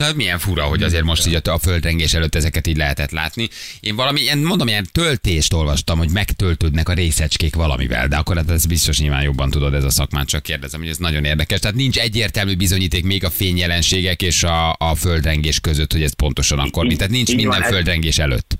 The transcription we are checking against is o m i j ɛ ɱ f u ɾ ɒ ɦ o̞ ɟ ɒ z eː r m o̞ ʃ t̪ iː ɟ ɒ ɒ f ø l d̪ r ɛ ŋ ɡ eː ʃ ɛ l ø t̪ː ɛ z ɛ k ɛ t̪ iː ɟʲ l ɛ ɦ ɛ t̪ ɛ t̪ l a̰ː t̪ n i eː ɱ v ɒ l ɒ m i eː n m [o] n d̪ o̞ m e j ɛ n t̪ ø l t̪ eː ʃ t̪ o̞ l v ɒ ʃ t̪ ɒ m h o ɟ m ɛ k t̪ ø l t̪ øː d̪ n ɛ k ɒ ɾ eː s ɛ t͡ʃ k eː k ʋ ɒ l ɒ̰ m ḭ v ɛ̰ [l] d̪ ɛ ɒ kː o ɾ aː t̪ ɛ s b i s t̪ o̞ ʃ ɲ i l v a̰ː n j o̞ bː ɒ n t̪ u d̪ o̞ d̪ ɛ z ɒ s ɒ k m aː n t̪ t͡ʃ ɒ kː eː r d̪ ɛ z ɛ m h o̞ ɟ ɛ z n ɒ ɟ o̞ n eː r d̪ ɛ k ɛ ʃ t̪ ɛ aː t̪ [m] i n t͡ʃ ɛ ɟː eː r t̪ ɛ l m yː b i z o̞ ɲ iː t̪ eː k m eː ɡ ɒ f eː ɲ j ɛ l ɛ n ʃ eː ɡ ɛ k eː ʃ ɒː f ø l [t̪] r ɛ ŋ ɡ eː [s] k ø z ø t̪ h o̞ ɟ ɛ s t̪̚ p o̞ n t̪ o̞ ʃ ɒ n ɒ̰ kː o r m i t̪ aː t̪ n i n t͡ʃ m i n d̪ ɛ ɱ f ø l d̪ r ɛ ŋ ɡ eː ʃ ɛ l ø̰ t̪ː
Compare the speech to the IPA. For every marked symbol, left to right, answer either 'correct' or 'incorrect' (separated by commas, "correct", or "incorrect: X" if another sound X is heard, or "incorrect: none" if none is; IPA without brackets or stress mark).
correct, correct, incorrect: n, incorrect: d̪, incorrect: ʃ